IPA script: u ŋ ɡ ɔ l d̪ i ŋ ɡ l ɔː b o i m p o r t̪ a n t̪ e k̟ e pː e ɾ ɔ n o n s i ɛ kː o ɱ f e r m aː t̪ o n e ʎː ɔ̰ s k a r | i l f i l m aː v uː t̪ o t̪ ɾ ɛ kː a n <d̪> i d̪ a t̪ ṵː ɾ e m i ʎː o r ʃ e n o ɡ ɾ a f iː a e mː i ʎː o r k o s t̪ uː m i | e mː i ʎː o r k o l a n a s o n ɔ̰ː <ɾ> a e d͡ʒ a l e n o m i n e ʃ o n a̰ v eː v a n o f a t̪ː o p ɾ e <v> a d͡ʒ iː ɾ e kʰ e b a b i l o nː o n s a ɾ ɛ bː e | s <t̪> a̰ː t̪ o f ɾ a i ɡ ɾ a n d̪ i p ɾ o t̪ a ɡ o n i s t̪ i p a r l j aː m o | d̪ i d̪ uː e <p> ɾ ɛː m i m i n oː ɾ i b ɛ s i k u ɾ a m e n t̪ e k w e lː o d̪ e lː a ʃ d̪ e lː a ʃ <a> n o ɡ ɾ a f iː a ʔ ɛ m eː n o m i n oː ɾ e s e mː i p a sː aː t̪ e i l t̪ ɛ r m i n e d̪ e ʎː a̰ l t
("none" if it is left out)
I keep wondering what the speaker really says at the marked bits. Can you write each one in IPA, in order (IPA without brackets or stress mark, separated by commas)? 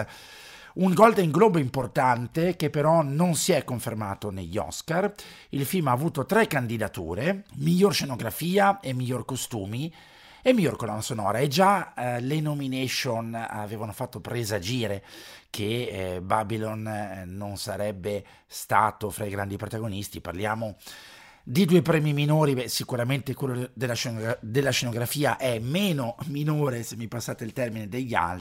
d̪, ɾ, z, t̪, p, e